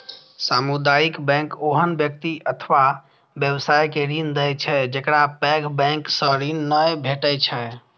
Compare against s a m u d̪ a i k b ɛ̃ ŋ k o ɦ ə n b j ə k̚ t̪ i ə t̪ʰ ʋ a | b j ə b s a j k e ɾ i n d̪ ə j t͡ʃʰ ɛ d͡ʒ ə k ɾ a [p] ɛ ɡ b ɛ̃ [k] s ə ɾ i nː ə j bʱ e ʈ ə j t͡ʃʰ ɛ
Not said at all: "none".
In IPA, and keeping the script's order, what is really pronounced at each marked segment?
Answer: p, k

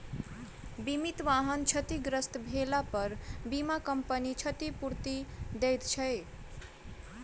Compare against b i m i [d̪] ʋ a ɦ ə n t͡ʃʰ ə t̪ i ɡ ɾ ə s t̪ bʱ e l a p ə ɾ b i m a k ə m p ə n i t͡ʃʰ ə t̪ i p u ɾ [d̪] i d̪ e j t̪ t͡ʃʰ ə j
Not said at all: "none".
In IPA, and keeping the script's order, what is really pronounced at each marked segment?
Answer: t̪, t̪

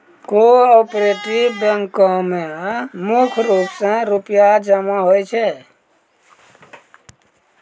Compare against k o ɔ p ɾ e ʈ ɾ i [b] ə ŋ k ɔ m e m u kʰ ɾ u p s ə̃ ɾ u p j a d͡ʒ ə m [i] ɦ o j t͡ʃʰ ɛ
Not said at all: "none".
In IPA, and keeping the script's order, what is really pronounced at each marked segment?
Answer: b, a

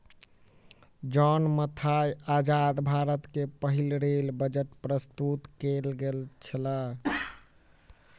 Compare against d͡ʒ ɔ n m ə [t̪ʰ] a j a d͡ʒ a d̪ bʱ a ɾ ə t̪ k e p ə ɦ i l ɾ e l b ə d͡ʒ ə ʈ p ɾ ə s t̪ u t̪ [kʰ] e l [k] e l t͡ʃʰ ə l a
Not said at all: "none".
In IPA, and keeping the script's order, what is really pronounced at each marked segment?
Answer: t̪ʰ, k, ɡ

